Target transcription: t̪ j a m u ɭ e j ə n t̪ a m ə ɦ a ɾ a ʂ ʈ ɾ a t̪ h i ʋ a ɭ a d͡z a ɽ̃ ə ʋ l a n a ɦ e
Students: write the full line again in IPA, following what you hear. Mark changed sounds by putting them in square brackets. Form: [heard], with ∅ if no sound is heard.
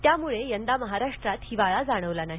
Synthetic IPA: t̪ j a m u ɭ e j ə n [d̪] a m ə ɦ a ɾ a ʂ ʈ ɾ a t̪ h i ʋ a ɭ a d͡z a ɽ̃ ə ʋ l a n a ɦ [i]